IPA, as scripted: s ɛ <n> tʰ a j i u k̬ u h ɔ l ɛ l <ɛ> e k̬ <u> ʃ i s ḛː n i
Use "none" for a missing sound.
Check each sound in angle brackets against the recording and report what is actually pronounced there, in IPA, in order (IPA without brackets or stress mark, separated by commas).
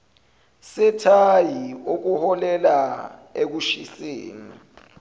none, a, u